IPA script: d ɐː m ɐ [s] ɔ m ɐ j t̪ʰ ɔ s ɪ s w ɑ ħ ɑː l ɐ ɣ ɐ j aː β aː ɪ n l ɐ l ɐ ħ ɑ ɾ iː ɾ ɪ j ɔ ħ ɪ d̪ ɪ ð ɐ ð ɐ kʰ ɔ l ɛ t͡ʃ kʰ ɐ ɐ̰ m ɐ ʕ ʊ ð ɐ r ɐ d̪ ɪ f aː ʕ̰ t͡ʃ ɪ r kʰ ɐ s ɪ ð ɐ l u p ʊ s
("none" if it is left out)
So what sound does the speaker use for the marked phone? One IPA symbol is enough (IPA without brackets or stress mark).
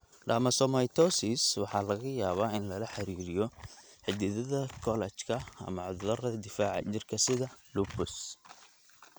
s